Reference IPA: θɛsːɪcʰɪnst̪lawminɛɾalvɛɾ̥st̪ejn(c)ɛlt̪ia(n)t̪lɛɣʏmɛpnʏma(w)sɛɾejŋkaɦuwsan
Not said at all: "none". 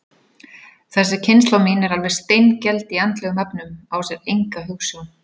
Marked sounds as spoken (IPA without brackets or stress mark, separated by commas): c, n, w